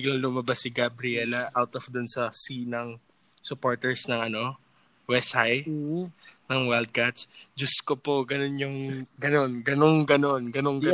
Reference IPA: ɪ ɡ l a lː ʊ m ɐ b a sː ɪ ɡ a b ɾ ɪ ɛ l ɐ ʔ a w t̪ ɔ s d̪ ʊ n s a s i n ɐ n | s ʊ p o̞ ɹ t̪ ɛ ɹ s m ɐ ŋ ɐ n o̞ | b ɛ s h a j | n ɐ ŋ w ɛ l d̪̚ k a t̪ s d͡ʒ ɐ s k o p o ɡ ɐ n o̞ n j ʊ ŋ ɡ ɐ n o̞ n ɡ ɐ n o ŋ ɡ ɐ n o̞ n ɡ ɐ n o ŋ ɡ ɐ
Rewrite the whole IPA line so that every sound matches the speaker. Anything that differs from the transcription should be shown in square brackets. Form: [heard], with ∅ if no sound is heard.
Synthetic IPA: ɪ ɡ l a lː ʊ m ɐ b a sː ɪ ɡ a b ɾ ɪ ɛ l ɐ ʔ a w t̪ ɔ [f] d̪ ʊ n s [ɐ] s i n ɐ [ŋ] | s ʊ p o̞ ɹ t̪ ɛ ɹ s [n] ɐ ŋ ɐ n o̞ | [w] ɛ s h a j | n ɐ ŋ w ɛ l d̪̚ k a t̪ s d͡ʒ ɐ s k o p o ɡ ɐ n o̞ n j ʊ ŋ ɡ ɐ n o̞ n ɡ ɐ n o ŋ ɡ ɐ n o̞ n ɡ ɐ n o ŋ ɡ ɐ